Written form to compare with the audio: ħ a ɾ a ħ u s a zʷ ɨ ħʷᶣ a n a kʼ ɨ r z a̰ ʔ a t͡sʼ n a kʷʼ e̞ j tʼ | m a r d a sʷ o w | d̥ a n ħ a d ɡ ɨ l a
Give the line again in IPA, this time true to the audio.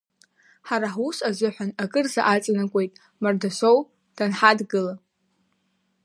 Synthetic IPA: ħ a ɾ a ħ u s a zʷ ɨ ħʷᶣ a n a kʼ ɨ r z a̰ ʔ a t͡sʼ n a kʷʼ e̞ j tʼ | m a r d a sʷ o w | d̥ a n ħ a d ɡ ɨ l a